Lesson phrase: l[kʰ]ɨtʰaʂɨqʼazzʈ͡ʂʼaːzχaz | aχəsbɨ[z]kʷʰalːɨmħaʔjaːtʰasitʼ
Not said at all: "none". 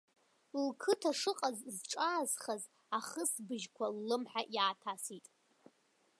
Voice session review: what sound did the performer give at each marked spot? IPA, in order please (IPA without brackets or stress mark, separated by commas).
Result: kʰ, ʒ